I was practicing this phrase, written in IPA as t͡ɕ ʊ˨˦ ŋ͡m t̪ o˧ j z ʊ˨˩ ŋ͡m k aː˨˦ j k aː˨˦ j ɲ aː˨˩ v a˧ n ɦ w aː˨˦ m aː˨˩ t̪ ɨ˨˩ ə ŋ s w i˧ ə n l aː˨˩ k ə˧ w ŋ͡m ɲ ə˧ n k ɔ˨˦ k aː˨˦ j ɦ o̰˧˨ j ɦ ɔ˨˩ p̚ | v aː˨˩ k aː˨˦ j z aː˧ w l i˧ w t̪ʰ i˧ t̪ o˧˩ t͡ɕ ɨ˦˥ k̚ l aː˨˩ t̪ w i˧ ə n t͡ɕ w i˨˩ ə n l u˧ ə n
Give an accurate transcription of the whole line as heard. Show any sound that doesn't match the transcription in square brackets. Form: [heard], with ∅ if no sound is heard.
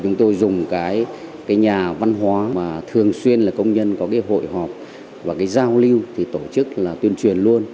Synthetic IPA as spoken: t͡ɕ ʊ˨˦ ŋ͡m t̪ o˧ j z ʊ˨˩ ŋ͡m k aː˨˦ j k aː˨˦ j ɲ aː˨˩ v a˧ n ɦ w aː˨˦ m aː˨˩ [t̪ʰ] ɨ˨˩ ə ŋ s w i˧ ə n l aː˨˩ k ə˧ w ŋ͡m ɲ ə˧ n k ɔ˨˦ k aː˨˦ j ɦ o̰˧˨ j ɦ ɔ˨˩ p̚ | v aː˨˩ k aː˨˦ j z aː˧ w l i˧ w t̪ʰ [i˨˩] t̪ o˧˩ t͡ɕ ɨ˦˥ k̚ l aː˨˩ t̪ w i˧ ə n t͡ɕ w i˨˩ ə n l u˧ ə n